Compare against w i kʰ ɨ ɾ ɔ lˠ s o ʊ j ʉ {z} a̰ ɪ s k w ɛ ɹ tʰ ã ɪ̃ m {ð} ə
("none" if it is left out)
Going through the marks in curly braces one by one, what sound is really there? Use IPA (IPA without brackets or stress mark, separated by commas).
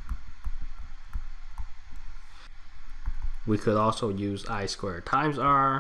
z, z